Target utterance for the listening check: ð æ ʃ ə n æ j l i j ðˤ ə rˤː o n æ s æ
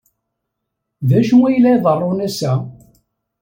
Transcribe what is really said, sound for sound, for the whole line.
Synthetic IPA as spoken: ð æ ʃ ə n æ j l æ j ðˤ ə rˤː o n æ s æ